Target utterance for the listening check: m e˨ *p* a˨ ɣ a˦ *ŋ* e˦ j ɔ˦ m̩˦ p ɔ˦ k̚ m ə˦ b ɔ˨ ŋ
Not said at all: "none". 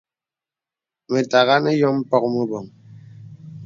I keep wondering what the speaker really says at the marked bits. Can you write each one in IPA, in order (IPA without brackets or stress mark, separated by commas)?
t, n